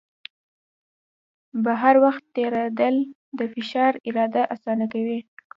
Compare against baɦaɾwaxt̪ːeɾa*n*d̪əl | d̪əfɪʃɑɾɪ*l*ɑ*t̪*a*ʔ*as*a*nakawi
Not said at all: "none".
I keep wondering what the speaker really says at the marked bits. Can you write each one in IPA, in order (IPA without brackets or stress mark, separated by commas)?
none, ɾ, d̪, ʔ, ɑ